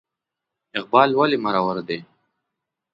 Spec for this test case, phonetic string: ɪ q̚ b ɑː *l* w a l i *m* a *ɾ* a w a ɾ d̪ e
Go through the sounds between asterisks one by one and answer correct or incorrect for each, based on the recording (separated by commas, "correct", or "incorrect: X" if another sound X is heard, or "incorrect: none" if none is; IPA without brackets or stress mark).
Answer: correct, correct, correct